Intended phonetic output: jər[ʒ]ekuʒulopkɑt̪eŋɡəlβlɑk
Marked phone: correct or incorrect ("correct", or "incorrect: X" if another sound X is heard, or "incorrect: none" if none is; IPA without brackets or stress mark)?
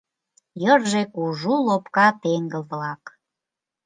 correct